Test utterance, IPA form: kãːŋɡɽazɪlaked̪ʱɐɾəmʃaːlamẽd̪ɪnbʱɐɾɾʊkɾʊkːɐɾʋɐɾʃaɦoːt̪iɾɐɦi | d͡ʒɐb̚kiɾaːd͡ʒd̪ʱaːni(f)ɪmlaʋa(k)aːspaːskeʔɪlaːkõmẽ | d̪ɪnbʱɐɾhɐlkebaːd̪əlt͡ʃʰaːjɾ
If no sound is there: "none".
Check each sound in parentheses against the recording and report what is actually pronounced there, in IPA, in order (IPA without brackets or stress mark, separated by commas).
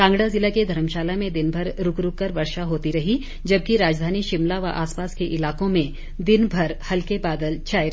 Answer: ʃ, ʔ